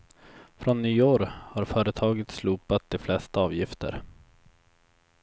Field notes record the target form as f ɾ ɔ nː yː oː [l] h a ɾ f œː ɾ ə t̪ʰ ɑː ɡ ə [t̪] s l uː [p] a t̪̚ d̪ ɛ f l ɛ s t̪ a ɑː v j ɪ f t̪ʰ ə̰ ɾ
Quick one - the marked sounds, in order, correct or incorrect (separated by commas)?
incorrect, correct, correct